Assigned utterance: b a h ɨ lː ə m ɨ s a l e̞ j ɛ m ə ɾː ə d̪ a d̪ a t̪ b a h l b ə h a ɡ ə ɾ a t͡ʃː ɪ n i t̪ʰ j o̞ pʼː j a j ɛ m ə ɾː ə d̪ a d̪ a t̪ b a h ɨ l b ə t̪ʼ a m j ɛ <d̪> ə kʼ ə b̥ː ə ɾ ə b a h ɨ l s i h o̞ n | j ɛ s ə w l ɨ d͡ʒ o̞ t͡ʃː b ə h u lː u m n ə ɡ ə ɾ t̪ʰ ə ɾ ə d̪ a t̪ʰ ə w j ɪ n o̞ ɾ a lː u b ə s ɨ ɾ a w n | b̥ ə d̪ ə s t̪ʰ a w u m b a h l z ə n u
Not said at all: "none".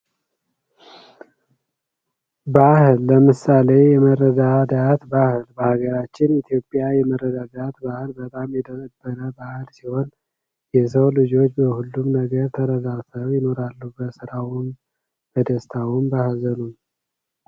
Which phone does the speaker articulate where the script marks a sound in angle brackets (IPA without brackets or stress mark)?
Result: d̪